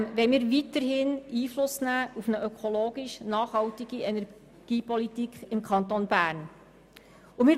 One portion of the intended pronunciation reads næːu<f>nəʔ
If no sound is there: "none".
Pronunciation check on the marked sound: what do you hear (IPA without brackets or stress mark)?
f